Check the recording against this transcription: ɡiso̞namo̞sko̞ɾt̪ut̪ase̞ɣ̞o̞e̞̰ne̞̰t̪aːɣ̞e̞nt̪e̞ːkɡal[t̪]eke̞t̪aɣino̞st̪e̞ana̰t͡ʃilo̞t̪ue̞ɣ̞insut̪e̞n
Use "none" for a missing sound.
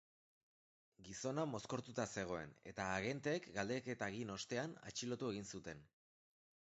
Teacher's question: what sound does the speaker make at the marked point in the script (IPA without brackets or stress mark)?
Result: d̪